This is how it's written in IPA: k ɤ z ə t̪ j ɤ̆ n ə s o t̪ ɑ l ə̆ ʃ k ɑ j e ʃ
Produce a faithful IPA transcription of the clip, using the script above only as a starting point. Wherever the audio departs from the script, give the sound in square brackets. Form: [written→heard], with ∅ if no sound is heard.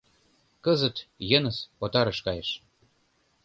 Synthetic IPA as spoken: k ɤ z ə t̪ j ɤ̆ n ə s o t̪ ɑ [l→ɾ] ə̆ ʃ k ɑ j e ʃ